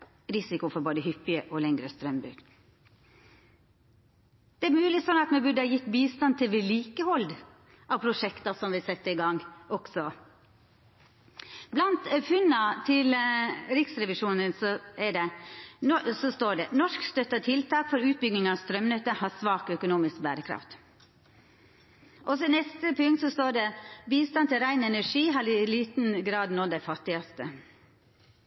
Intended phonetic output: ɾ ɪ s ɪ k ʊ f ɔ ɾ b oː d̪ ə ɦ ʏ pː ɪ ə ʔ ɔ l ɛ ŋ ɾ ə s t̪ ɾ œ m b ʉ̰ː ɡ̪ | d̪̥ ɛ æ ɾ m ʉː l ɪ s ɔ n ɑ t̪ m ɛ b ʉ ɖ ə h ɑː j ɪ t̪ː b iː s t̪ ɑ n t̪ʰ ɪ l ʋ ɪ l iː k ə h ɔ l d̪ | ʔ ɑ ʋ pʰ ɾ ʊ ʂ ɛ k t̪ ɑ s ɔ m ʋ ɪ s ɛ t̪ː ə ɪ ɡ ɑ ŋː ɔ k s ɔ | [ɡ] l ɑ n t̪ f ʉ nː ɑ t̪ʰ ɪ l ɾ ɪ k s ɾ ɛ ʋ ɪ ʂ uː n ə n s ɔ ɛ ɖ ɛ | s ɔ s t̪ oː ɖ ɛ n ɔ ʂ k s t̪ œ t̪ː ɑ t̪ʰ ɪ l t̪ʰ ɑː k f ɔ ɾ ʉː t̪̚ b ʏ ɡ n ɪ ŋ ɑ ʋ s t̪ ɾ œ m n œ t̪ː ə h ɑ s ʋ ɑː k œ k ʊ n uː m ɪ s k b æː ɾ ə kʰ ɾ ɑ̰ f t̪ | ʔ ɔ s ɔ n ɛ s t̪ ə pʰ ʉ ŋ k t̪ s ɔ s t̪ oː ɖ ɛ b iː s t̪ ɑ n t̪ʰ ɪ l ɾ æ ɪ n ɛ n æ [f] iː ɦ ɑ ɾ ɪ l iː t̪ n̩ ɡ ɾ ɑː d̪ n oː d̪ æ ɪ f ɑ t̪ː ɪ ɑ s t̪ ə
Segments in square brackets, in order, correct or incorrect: incorrect: b, incorrect: ʂ

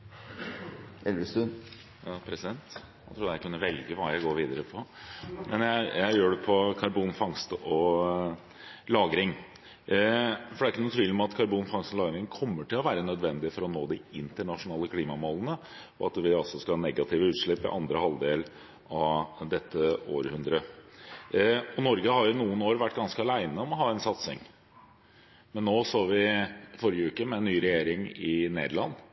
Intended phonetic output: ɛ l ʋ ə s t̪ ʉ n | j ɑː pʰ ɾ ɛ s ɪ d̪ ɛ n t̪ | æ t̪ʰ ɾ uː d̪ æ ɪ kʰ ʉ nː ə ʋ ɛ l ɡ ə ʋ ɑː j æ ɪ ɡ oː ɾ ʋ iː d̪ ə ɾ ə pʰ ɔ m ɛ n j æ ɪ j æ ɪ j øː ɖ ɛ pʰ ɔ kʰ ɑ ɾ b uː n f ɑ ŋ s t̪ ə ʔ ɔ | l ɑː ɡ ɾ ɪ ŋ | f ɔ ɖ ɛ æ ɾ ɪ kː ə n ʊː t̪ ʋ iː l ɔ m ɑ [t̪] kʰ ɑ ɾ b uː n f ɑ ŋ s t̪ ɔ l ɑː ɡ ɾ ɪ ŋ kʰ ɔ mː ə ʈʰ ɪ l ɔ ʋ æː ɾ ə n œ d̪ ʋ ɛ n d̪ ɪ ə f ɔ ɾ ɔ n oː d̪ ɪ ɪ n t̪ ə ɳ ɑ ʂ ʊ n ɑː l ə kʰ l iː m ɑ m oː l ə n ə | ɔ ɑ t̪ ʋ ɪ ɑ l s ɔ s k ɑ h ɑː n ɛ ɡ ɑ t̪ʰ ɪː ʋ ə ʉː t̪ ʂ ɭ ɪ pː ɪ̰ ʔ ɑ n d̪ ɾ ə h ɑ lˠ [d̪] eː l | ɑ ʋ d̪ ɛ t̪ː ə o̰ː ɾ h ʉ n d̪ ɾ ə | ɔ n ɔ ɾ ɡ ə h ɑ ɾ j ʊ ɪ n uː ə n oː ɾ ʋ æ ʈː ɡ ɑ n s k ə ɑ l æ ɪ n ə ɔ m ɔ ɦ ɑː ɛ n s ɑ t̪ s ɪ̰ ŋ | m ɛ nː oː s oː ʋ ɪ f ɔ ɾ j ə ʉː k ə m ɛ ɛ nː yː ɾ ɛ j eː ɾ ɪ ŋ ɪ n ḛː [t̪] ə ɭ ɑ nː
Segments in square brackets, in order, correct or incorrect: correct, correct, incorrect: d̪

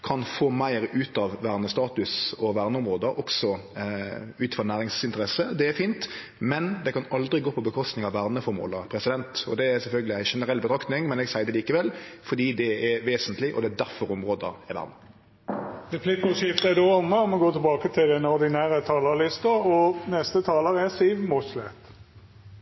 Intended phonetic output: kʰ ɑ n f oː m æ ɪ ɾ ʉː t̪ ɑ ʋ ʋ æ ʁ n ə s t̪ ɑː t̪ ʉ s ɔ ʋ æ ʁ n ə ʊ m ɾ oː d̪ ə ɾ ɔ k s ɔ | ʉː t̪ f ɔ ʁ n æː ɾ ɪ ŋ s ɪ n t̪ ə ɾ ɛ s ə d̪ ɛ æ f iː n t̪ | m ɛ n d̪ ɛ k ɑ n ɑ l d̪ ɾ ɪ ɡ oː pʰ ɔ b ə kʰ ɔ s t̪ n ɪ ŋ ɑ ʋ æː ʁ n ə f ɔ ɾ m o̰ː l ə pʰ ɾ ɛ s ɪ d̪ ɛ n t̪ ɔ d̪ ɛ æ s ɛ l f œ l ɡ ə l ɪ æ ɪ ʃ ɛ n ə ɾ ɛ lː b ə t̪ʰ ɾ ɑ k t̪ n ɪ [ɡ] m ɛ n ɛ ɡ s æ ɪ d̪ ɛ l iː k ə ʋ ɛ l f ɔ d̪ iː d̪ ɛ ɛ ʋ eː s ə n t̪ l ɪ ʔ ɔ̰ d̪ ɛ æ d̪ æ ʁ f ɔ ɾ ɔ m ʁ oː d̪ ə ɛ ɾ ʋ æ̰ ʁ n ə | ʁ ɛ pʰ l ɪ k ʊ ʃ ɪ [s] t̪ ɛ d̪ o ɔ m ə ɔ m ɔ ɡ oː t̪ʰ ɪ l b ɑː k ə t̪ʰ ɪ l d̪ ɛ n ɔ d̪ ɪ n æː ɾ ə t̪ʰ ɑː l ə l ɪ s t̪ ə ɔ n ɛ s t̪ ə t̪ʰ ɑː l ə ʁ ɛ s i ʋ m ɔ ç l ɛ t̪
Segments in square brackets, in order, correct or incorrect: incorrect: ŋ, incorrect: f

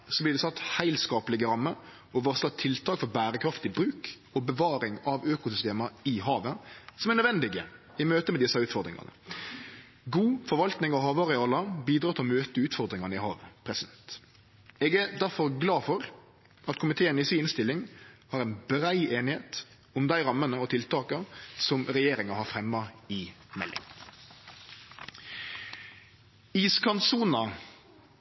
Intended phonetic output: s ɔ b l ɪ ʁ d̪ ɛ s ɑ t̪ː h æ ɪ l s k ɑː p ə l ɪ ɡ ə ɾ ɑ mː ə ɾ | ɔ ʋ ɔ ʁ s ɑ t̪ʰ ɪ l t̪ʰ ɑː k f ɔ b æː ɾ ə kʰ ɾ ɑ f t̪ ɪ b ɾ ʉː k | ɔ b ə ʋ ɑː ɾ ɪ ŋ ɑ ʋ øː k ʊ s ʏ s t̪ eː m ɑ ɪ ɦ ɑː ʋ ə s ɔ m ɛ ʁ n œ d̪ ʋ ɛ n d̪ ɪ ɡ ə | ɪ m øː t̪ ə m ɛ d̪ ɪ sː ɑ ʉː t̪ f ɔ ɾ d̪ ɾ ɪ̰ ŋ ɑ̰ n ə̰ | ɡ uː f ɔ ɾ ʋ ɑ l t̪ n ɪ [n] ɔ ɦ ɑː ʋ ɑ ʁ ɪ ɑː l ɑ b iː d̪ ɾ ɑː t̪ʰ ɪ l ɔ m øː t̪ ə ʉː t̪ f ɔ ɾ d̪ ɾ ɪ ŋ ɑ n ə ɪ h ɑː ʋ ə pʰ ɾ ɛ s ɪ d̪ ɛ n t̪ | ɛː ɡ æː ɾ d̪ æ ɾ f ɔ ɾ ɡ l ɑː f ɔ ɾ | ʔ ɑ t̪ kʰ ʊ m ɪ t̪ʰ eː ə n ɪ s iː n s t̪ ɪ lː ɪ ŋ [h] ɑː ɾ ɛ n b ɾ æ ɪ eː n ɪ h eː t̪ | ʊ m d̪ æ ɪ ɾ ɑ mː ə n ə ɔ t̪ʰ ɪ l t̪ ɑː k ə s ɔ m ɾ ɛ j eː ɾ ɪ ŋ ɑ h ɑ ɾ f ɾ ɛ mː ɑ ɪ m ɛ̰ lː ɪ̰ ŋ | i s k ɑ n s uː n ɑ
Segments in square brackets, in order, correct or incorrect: incorrect: ŋ, correct

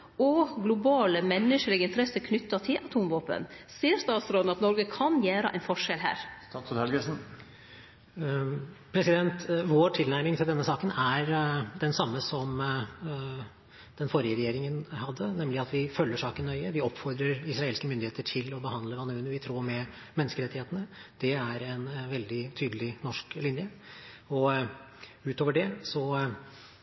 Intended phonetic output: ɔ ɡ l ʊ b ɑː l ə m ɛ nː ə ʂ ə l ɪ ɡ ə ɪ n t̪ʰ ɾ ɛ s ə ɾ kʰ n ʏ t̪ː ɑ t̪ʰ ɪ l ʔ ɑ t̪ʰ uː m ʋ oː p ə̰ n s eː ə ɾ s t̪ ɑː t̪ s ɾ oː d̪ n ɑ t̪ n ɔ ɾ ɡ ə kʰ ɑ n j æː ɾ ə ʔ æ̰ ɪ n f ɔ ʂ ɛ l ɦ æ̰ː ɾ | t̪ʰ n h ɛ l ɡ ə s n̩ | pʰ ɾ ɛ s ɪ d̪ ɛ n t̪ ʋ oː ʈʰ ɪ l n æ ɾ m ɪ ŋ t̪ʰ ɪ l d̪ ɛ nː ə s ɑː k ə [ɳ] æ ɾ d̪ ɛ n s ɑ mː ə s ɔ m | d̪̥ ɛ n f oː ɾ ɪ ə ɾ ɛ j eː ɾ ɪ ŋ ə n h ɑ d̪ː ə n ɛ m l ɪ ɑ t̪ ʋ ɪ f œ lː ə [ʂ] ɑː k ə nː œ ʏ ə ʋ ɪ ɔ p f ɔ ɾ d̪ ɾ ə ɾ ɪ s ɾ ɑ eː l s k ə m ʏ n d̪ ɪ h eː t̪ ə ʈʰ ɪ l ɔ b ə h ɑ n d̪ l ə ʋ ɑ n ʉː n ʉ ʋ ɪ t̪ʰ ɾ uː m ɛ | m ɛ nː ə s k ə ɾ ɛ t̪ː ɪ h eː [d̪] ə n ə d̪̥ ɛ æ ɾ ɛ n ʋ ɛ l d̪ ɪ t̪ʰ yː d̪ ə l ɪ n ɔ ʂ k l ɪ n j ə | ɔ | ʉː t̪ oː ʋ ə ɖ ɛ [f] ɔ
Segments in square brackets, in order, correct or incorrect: incorrect: n, correct, incorrect: t̪, incorrect: s

